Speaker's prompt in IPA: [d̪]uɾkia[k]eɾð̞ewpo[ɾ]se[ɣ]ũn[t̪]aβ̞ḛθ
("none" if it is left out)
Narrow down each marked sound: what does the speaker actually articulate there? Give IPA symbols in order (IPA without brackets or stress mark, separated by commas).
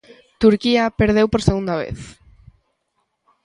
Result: t̪, p, ɾ, ɣ, d̪